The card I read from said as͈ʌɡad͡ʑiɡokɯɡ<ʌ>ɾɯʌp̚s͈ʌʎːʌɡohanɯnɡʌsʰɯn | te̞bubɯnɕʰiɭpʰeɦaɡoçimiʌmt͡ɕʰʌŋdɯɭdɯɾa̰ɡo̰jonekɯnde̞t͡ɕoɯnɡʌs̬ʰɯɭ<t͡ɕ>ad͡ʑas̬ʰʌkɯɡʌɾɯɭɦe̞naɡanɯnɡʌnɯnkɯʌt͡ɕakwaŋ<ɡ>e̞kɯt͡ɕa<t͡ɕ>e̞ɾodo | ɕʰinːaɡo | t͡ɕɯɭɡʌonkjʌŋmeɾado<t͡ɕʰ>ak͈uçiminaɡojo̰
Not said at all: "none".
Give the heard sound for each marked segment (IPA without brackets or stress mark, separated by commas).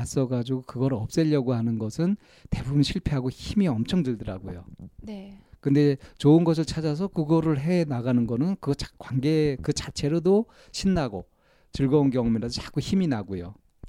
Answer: ʌ, t͡ɕʰ, ɡ, t͡ɕʰ, t͡ɕ